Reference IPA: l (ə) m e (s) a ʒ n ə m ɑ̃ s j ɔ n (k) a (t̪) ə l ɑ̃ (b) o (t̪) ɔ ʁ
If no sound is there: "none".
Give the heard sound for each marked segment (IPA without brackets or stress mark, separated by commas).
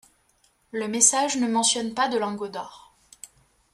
ə, s, p, d̪, ɡ, d̪